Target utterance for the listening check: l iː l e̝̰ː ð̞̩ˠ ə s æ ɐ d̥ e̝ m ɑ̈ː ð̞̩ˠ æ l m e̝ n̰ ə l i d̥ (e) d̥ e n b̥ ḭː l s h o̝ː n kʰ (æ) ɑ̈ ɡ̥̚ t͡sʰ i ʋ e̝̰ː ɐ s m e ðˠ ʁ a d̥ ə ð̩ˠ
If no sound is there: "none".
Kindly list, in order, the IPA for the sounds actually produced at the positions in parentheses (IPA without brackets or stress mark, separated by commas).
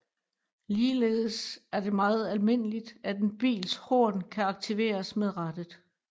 æ, æ